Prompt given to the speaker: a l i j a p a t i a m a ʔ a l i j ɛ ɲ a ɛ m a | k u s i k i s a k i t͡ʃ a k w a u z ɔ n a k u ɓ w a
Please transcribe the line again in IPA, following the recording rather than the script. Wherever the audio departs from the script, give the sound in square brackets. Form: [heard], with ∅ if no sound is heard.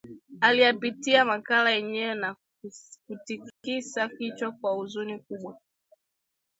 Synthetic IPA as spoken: a l i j a p [i] t i a m a [k] a l [a] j ɛ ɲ [ɛ] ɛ [n] a | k u [t] i k i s a k i t͡ʃ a k w a u z [u] n [i] k u ɓ w a